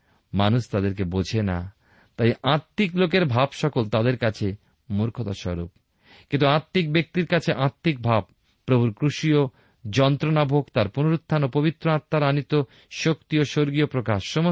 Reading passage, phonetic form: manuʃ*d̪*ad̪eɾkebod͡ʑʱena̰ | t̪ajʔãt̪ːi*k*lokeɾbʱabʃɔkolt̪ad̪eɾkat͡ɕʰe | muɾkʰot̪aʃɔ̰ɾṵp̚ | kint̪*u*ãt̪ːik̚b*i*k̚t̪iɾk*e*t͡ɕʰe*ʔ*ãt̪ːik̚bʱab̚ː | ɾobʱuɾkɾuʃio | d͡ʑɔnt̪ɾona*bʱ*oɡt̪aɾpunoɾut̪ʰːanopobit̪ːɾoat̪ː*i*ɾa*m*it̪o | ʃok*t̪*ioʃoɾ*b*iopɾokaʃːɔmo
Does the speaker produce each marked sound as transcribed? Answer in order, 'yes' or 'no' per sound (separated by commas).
no, yes, yes, no, no, yes, yes, no, no, yes, no